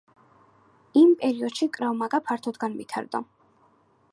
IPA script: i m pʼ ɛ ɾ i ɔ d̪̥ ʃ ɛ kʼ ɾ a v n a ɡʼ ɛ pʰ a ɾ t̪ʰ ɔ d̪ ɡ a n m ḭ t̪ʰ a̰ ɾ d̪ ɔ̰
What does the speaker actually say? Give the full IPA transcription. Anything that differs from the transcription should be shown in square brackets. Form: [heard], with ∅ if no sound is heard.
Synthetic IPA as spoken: i m pʼ ɛ ɾ i ɔ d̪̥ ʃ [i] kʼ ɾ a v [m] a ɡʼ [a] pʰ a ɾ t̪ʰ ɔ d̪ ɡ a n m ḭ t̪ʰ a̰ ɾ d̪ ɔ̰